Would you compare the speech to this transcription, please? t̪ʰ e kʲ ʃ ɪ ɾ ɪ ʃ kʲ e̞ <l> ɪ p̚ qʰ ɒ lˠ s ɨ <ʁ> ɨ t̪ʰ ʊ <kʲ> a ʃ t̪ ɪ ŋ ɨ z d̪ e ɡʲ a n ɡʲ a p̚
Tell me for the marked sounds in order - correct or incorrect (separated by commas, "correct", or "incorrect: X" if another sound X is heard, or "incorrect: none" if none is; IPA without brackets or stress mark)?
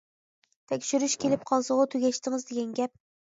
correct, correct, incorrect: ɡʲ